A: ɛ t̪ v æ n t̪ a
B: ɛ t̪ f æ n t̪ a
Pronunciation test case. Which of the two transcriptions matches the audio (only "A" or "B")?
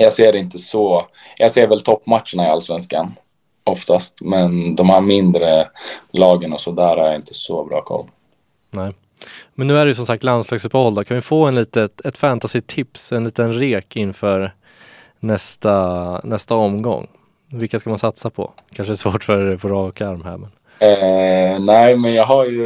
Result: B